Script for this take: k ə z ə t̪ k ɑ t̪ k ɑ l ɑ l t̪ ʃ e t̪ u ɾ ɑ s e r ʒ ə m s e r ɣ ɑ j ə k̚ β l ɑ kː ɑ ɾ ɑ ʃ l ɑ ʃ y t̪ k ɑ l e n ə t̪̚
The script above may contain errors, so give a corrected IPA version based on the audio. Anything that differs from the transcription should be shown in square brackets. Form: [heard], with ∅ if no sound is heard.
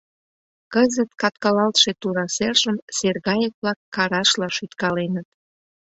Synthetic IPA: k ə z ə t̪ k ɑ t̪ k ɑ l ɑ l t̪ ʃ e t̪ u ɾ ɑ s e r ʒ ə m s e r ɣ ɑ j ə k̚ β l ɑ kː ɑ ɾ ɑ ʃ l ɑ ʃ y t̪ k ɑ l e n ə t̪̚

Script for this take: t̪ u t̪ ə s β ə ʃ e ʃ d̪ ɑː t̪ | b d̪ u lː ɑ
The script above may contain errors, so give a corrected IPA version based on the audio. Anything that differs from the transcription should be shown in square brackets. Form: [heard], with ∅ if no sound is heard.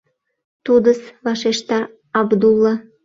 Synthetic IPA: t̪ u [d̪] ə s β [ɑ] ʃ e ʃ [t̪] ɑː [∅] | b d̪ u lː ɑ

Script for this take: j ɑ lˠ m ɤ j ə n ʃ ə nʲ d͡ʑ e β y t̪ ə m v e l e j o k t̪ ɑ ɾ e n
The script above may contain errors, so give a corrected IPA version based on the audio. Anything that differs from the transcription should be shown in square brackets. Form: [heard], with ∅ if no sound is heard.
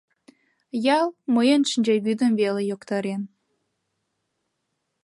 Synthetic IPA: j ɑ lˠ m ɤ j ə n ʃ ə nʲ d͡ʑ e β y [d̪] ə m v e l e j o k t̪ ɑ ɾ e n

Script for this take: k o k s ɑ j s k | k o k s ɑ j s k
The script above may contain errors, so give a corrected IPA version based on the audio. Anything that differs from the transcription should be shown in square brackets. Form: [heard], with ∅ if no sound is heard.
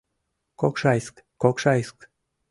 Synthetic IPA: k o k [ʃ] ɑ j s k | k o k [ʃ] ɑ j s k

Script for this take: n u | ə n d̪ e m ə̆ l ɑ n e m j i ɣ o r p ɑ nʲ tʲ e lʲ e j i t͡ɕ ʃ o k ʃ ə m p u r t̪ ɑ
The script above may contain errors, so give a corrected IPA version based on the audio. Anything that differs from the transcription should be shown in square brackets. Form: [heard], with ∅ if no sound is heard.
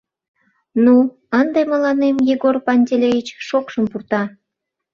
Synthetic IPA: n u | ə n d̪ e m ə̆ l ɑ n e m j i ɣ o r p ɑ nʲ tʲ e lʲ e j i t͡ɕ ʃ o k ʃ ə m p u r t̪ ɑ

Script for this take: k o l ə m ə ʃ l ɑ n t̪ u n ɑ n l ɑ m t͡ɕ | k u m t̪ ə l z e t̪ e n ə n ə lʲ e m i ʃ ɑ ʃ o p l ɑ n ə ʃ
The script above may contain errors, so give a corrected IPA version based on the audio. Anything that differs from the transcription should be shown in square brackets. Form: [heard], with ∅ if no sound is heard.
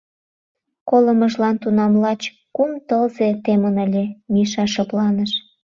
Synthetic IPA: k o l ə m ə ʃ l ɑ n t̪ u n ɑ [m] l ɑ [∅] t͡ɕ | k u m t̪ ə l z e t̪ e [m] ə n ə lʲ e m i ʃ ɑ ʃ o p l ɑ n ə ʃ

